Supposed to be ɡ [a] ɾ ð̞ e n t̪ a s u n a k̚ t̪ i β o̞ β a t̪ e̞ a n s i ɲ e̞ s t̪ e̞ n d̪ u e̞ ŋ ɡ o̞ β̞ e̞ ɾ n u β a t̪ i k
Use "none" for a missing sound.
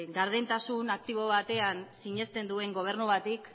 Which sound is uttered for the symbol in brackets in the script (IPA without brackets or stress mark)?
a